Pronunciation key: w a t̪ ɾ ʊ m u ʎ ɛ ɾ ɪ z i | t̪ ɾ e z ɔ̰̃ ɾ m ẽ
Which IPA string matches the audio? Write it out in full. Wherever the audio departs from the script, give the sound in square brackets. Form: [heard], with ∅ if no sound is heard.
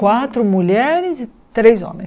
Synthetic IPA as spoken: w a t̪ ɾ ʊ m u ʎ ɛ ɾ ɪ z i | t̪ ɾ e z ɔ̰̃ [∅] m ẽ

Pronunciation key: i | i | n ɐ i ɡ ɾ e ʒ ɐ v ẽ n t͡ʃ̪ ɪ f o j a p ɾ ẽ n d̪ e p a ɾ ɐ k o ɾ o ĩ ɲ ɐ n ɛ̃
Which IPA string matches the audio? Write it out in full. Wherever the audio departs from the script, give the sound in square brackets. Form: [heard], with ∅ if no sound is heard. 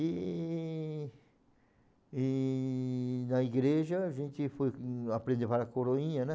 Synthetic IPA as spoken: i | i | n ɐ i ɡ ɾ e ʒ ɐ [ʒ] ẽ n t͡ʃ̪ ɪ f o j a p ɾ ẽ n d̪ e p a ɾ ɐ k o ɾ o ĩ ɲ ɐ n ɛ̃

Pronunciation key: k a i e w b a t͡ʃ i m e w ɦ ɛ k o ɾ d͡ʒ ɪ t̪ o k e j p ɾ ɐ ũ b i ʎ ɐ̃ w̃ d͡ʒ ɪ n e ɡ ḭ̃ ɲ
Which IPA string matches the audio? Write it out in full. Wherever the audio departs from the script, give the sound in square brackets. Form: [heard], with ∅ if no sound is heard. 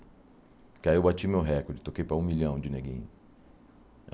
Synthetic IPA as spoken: k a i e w b a t͡ʃ i m e w ɦ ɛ k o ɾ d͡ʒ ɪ t̪ o k e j p ɾ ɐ ũ [m] i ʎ ɐ̃ w̃ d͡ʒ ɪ n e ɡ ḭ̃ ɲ

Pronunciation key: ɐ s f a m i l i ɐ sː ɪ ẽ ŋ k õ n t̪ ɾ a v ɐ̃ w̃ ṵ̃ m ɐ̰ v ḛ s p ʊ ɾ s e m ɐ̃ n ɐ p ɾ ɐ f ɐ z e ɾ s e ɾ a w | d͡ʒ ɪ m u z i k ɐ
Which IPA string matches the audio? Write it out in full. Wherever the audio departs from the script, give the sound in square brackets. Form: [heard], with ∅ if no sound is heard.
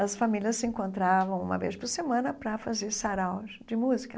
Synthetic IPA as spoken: ɐ s f a m i l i ɐ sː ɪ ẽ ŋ k õ n t̪ ɾ a v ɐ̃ w̃ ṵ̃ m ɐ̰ v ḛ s p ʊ ɾ s e m ɐ̃ n ɐ p ɾ ɐ f [a] z e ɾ s [a] ɾ a w | d͡ʒ ɪ m u z i k ɐ

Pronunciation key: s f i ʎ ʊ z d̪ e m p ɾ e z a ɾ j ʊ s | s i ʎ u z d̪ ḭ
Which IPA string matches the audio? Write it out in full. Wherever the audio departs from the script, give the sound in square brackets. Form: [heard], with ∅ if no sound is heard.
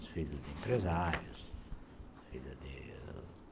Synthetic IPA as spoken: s f i ʎ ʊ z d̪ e m p ɾ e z a ɾ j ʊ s | [f] i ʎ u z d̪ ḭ

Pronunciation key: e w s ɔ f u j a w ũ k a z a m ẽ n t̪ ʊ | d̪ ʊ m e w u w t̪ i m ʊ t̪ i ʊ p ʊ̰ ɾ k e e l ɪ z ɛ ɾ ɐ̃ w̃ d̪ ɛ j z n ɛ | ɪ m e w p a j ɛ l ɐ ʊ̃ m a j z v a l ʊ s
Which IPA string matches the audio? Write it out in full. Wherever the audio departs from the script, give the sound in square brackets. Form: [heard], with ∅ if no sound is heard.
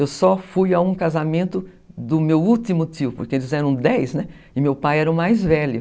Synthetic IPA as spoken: e w s ɔ f u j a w ũ k a z a m ẽ n t̪ ʊ | d̪ ʊ m e w u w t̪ i m ʊ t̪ i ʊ p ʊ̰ ɾ k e e l ɪ z ɛ ɾ ɐ̃ w̃ d̪ ɛ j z n ɛ | ɪ m e w p a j ɛ [ɾ] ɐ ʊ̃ m a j z v [ɛ] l ʊ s

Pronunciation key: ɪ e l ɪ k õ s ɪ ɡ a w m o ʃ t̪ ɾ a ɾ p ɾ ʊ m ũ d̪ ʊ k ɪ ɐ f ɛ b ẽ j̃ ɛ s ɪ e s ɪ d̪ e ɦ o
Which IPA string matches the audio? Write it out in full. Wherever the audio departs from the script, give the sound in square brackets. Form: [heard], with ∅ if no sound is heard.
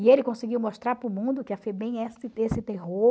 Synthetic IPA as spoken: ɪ e l ɪ k õ s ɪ ɡ [i] w m o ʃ t̪ ɾ a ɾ p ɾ ʊ m ũ d̪ ʊ k ɪ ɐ f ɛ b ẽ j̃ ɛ s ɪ e s ɪ [t̪] e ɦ o

